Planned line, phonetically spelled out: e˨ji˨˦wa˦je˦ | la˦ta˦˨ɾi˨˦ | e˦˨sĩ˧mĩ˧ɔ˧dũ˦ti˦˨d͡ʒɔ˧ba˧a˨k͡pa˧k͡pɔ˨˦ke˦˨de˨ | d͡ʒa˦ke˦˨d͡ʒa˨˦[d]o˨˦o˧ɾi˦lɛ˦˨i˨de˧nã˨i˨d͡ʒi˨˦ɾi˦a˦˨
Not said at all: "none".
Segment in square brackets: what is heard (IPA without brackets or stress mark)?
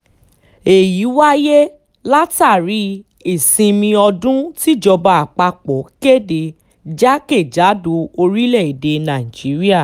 d